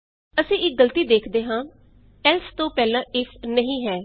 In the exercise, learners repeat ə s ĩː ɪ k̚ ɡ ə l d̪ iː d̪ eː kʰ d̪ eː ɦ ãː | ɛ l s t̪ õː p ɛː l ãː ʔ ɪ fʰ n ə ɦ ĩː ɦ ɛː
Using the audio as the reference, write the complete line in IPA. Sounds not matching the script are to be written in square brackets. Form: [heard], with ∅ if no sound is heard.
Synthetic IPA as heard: ə s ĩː ɪ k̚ ɡ ə l [t̪] iː d̪ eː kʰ d̪ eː ɦ ãː | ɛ l s t̪ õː p ɛː l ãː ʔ ɪ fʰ n ə ɦ ĩː ɦ ɛː